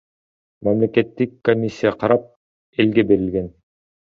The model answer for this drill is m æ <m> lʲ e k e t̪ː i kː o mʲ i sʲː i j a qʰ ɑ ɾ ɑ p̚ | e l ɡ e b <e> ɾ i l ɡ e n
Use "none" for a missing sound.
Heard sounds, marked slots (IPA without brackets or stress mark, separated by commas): m, e